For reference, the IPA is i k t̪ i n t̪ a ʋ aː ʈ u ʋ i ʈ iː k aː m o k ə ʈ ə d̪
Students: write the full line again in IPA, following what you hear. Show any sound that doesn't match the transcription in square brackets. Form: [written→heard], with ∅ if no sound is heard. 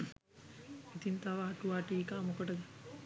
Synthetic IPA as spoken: i [k→∅] t̪ i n t̪ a ʋ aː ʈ u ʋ [i→a] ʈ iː k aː m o k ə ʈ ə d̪